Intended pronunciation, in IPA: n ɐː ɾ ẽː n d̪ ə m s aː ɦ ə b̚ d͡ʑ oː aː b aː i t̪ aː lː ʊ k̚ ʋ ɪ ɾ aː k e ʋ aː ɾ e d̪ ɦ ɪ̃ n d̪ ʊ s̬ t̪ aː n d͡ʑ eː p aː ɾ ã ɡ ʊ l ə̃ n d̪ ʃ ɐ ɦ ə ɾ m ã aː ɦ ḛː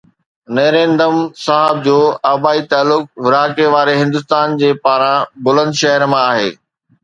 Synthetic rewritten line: n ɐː ɾ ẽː n d̪ ə m s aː ɦ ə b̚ d͡ʑ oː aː b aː i t̪ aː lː ʊ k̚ ʋ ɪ ɾ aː k e ʋ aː ɾ e ɦ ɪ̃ n d̪ ʊ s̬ t̪ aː n d͡ʑ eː p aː ɾ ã b ʊ l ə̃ n d̪ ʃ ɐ ɦ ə ɾ m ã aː ɦ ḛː

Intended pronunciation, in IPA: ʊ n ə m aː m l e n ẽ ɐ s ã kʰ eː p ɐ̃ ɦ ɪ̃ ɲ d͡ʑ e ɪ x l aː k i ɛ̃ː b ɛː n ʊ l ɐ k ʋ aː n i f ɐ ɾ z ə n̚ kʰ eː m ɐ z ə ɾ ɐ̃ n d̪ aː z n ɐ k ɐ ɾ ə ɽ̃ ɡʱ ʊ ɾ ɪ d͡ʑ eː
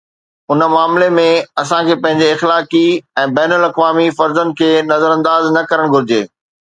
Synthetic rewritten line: ʊ n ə m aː m l e m ẽ ɐ s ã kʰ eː p ɐ̃ ɦ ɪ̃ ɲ d͡ʑ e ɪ x l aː k i ɛ̃ː b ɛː n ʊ l ɐ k ʋ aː m i f ɐ ɾ z ə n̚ kʰ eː n ɐ z ə ɾ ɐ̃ n d̪ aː z n ɐ k ɐ ɾ ə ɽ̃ ɡʱ ʊ ɾ ɪ d͡ʑ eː

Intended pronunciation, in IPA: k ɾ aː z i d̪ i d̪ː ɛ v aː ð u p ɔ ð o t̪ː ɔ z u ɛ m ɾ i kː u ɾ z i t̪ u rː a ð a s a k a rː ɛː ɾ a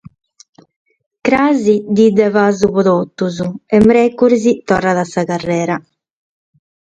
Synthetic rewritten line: k ɾ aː z i d̪ i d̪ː ɛ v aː z u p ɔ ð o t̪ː u z u ɛ m ɾ ɛ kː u ɾ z i t̪ ɔ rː a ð a s a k a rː ɛː ɾ a

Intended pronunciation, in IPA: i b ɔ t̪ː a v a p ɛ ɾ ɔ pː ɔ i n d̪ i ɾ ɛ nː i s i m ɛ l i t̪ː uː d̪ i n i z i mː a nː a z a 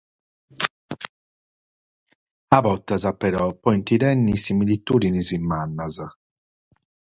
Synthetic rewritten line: a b ɔ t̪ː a z a p ɛ ɾ ɔ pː ɔ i n t̪ i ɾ ɛ nː i s i m i l i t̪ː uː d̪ i n i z i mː a nː a z a

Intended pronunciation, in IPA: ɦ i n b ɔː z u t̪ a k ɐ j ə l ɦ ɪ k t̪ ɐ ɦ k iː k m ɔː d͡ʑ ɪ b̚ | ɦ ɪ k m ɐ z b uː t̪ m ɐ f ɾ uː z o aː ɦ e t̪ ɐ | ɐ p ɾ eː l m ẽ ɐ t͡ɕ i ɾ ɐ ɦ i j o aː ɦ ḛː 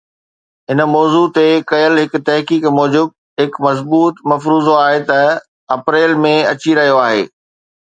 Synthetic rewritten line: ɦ ɪ n m ɔː z u t̪ e k ɐ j ə l ɦ ɪ k t̪ ɐ ɦ k iː k m ɔː d͡ʑ ɪ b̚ | ɦ ɪ k m ɐ z b uː t̪ m ɐ f ɾ uː z o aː ɦ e t̪ ɐ | ɐ p ɾ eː l m ẽ ɐ t͡ɕ i ɾ ɐ ɦ i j o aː ɦ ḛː

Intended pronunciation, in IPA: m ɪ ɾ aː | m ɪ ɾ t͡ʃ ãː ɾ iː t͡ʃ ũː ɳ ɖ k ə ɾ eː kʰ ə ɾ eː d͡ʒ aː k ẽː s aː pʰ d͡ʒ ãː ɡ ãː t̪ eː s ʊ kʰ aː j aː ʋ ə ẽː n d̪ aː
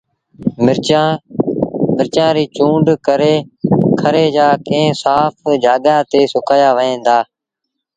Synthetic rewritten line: m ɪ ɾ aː | m ɪ ɾ t͡ʃ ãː ɾ iː t͡ʃ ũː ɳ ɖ k ə ɾ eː kʰ ə ɾ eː d͡ʒ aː k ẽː s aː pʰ d͡ʒ aː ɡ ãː t̪ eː s ʊ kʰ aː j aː ʋ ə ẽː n d̪ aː

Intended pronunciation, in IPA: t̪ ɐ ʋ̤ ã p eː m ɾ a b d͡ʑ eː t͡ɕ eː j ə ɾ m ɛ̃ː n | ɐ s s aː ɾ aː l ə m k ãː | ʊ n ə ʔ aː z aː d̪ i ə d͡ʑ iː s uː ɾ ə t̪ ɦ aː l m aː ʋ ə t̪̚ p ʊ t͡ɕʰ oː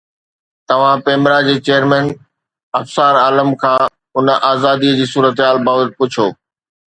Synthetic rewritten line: t̪ ɐ ʋ̤ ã p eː m ɾ a d͡ʑ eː t͡ɕ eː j ə ɾ m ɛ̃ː n | ɐ f s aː ɾ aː l ə m kʰ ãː | ʊ n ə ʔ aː z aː d̪ i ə d͡ʑ iː s uː ɾ ə t̪ ɦ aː l b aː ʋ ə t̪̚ p ʊ t͡ɕʰ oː

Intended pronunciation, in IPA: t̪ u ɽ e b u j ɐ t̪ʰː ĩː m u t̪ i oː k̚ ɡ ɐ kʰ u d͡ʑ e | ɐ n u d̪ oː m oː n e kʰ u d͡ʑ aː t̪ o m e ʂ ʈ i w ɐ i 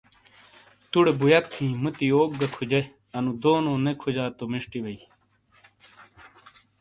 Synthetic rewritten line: t̪ u ɽ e b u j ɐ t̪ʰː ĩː m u t̪ i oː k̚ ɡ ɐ kʰ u d͡ʑ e | ɐ n u d̪ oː n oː n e kʰ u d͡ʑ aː t̪ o m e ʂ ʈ i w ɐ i

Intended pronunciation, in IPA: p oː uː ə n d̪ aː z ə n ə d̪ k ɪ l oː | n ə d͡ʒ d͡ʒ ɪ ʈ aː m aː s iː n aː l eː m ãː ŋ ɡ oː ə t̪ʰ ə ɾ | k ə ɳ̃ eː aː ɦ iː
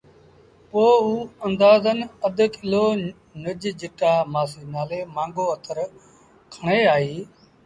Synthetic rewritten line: p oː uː ə n d̪ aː z ə n ə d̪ k ɪ l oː | n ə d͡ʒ d͡ʒ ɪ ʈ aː m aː s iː n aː l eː m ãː ŋ ɡ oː ə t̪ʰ ə ɾ | kʰ ə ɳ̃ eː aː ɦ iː

